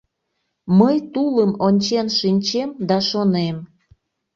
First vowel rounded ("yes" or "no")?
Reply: no